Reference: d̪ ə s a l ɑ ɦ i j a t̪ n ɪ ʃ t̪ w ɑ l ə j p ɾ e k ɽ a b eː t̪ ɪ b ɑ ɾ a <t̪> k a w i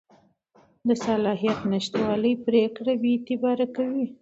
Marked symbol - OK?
no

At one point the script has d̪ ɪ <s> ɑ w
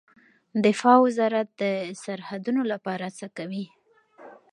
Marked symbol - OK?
no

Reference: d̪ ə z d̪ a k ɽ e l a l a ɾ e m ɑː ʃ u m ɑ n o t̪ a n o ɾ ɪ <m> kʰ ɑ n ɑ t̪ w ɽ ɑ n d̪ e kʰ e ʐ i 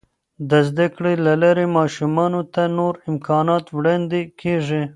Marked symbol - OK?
yes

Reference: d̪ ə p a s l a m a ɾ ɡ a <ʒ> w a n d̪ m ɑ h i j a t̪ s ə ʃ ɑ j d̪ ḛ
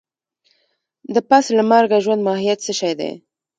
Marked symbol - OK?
yes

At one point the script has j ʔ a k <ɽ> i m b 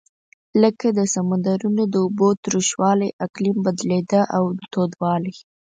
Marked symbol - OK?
no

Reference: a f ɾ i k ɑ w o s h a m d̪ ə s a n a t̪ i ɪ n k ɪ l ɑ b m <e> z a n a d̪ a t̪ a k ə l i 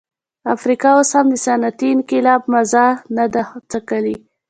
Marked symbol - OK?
no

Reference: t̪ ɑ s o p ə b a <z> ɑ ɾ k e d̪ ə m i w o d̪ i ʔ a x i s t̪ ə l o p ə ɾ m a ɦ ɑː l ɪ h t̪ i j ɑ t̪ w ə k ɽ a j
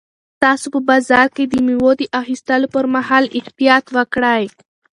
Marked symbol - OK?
yes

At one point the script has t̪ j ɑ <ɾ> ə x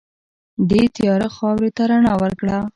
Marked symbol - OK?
yes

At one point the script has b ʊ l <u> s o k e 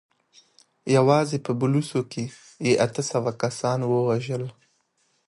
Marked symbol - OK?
yes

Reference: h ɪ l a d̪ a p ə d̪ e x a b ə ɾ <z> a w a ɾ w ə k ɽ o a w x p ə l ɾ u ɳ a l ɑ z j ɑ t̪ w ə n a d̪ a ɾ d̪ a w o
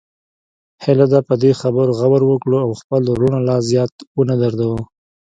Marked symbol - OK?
no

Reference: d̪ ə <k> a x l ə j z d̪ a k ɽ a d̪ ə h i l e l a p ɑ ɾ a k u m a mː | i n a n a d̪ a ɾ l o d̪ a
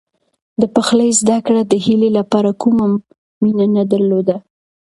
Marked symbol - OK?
no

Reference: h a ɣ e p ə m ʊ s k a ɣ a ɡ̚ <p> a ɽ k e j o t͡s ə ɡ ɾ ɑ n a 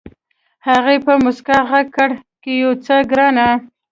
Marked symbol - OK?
no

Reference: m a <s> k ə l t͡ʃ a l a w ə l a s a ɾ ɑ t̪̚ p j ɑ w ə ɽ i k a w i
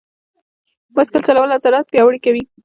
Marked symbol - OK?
yes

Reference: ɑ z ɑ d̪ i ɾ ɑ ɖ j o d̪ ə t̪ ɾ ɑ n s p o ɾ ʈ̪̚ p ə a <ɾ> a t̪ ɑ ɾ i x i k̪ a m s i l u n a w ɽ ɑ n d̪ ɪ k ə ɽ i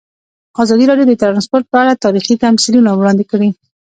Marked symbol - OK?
no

